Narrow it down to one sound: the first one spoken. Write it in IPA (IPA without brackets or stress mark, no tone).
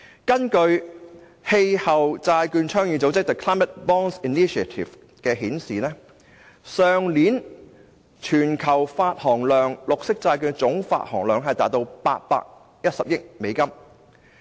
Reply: k